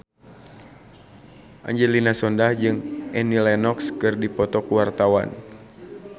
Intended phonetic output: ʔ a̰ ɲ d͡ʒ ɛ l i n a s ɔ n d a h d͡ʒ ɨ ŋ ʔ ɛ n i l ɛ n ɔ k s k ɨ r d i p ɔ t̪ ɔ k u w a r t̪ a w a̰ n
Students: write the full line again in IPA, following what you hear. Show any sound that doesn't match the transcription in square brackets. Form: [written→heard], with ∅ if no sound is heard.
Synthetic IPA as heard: ʔ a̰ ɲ d͡ʒ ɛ l i n a s ɔ n d a h d͡ʒ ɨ ŋ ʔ ɛ n i l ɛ n ɔ k s k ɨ r d i p ɔ t̪ ɔ k u w a r t̪ a w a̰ n

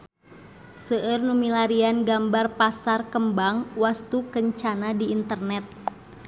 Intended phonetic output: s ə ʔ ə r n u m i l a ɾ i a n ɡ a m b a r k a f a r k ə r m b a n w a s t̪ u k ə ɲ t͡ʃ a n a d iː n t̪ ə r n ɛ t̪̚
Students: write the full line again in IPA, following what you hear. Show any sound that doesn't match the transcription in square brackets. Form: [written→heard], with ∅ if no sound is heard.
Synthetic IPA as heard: s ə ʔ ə r n u m i l a ɾ i a n ɡ a m b a r [k→p] a [f→s] a r k ə [r→∅] m b a [n→ŋ] w a s t̪ u k ə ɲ t͡ʃ a n a d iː n t̪ ə r n ɛ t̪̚

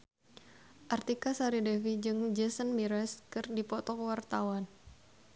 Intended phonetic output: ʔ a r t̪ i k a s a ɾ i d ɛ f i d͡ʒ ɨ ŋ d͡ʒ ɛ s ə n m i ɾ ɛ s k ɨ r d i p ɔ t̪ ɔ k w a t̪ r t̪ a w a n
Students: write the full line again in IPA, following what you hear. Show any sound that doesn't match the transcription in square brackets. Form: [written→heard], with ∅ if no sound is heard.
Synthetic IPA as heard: ʔ a r t̪ i k a s a ɾ i d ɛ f i d͡ʒ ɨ ŋ d͡ʒ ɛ s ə n m i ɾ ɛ s k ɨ r d i p ɔ t̪ ɔ k w a [t̪→∅] r t̪ a w a n

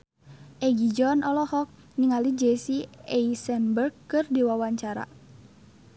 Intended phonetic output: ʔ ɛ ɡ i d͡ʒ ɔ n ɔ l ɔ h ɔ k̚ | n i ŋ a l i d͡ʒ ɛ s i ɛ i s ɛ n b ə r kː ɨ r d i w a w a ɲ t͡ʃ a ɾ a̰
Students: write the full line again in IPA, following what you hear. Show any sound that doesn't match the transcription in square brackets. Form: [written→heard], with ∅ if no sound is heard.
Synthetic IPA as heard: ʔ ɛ ɡ i d͡ʒ ɔ n ɔ l ɔ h ɔ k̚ | n i ŋ a l i d͡ʒ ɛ s i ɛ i s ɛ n b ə r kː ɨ r d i w a w a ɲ t͡ʃ a ɾ a̰

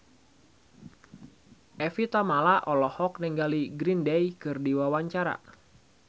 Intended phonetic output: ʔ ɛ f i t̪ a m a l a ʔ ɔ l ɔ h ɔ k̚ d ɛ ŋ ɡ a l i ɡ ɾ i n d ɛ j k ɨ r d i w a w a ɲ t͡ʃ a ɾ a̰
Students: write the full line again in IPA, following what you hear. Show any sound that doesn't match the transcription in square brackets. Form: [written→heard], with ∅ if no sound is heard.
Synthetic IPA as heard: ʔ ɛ f i t̪ a m a l a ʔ ɔ l ɔ h ɔ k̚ [d→n] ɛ ŋ ɡ a l i ɡ ɾ i n d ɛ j k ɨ r d i w a w a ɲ t͡ʃ a ɾ a̰

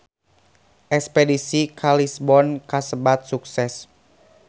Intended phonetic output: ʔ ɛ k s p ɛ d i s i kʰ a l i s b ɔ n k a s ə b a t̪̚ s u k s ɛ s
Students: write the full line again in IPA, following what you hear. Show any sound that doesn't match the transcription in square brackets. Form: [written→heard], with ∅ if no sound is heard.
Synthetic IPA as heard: ʔ ɛ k s p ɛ d i s i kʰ a l i s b ɔ n k a s ə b a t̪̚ s u k s ɛ s

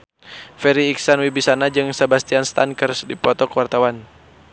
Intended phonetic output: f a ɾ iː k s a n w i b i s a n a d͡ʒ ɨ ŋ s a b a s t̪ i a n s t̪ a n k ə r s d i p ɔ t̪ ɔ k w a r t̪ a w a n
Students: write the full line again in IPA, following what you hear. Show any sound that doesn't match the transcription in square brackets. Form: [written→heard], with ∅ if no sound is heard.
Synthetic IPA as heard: f [a→ɛ] ɾ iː k s a n w i b i s a n a d͡ʒ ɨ ŋ s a b a s t̪ i a n s t̪ a n k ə r s d i p ɔ t̪ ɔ k w a r t̪ a w a n

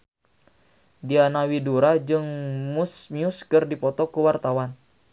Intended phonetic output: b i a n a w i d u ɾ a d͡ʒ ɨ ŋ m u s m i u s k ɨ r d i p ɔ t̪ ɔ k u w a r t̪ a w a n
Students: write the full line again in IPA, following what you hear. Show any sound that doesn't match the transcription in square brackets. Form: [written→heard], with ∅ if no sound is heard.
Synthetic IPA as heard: [b→d] i a n a w i d u ɾ a d͡ʒ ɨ ŋ m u s m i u s k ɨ r d i p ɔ t̪ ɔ k u w a r t̪ a w a n

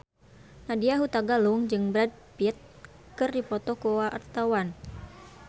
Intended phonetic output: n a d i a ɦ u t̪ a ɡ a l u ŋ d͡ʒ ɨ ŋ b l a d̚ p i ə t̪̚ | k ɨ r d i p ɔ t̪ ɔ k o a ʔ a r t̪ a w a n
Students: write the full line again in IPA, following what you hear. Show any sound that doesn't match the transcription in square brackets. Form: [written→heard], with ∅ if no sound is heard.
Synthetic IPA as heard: n a d i a ɦ u t̪ a ɡ a l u ŋ d͡ʒ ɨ ŋ b [l→ɾ] a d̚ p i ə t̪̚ | k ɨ r d i p ɔ t̪ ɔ k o a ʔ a r t̪ a w a n

